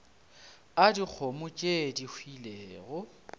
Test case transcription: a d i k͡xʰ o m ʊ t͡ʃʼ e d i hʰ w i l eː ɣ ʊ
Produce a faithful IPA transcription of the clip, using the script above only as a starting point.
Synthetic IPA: a d i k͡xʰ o m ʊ t͡ʃʼ e d i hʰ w i l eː ɣ ʊ